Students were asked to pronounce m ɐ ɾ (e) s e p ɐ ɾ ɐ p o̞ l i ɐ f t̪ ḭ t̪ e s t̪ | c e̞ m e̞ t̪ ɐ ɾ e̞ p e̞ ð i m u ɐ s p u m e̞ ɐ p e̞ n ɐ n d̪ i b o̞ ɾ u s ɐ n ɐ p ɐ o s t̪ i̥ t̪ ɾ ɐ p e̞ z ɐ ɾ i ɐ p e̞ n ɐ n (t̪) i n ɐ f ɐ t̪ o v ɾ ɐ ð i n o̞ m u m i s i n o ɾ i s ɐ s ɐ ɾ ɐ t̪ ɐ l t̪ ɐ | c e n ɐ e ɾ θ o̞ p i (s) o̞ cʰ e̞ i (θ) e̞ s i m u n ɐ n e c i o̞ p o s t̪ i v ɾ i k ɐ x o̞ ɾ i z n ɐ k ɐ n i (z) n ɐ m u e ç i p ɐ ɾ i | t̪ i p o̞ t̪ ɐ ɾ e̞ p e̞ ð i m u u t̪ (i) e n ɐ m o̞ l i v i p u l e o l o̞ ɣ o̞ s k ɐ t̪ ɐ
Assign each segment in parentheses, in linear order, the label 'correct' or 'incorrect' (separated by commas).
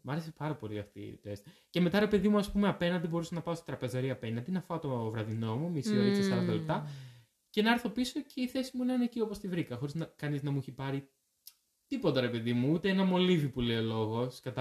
correct, incorrect, correct, correct, correct, incorrect